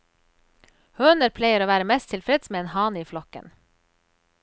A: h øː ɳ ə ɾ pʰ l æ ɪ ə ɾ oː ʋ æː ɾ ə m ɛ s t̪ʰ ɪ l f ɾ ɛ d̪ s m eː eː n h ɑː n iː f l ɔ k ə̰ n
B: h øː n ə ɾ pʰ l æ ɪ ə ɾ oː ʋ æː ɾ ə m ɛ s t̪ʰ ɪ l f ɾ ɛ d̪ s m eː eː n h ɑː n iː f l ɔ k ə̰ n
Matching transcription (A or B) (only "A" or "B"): B